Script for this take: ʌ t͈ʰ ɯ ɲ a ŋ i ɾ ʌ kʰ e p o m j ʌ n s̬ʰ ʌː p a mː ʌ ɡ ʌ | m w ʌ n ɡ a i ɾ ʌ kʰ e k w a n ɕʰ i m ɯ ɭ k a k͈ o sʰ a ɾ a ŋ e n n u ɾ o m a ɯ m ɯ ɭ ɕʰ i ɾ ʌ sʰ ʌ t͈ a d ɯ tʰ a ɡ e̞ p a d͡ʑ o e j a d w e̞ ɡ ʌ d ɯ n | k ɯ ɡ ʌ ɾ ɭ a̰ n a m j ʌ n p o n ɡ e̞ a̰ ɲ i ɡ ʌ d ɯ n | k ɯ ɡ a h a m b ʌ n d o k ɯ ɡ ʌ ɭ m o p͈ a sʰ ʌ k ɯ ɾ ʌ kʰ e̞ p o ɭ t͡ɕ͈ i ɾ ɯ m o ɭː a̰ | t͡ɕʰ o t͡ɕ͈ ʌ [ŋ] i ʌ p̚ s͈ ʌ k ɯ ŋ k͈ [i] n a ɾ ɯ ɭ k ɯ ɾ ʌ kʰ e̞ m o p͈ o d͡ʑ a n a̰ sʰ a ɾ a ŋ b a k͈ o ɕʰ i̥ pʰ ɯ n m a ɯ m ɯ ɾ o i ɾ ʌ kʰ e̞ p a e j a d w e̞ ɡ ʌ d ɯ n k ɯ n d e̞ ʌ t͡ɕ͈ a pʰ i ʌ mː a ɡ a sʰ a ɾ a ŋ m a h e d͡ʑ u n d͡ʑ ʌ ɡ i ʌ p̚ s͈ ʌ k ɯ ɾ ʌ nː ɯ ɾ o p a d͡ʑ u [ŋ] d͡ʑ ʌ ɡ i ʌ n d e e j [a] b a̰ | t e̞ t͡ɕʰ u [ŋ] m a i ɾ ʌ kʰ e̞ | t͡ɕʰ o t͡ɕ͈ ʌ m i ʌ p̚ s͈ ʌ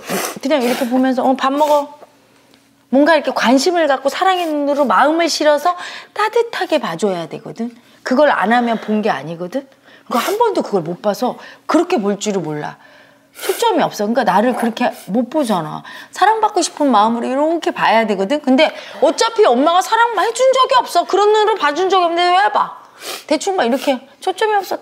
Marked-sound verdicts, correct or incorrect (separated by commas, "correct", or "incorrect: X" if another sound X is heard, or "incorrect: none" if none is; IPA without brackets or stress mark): incorrect: m, incorrect: a, incorrect: n, correct, correct